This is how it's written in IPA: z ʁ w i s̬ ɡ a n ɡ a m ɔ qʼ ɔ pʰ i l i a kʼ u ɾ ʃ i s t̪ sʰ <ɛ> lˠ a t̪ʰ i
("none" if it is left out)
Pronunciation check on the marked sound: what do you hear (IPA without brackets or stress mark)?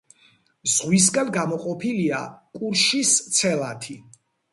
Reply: ɛ